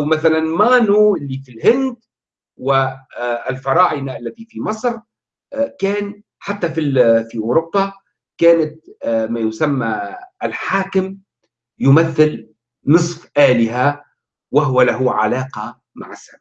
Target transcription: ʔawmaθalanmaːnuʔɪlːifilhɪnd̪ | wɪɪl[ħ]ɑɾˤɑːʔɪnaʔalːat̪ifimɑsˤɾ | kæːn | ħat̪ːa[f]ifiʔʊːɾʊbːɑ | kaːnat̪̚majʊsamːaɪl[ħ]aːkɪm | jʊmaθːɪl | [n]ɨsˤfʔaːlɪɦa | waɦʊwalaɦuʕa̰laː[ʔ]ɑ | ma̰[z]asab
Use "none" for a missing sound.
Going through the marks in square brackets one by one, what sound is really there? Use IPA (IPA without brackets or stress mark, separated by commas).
f, f, ħ, n, q, ʕ